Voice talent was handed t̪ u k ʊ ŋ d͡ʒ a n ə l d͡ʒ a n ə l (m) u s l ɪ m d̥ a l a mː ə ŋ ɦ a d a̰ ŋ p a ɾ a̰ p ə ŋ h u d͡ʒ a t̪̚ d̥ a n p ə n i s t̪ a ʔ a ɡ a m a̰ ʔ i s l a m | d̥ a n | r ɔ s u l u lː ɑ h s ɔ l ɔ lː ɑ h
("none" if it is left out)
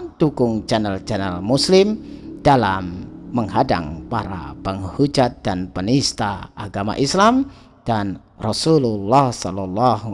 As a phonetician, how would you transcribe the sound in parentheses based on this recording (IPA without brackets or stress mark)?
m